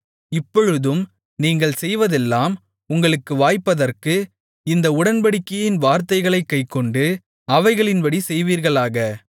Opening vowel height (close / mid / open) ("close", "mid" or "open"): close